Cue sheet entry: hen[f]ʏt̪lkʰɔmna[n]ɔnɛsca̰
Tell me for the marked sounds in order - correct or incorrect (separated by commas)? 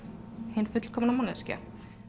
correct, incorrect